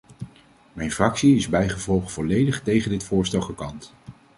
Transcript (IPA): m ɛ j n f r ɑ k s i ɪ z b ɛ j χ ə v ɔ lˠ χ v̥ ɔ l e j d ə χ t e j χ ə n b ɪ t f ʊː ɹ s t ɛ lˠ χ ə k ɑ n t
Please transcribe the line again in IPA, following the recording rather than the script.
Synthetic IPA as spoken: m ɛ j n f r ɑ k s i ɪ z b ɛ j χ ə v ɔ lˠ χ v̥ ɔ l e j d ə χ t e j χ ə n d ɪ t f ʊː ɹ s t ɛ lˠ χ ə k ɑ n t